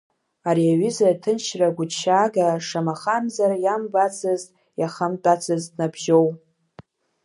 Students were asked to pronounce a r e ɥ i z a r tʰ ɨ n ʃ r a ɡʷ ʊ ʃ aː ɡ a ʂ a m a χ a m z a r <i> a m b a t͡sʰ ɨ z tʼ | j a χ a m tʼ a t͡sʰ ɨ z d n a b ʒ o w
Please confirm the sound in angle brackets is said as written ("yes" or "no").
no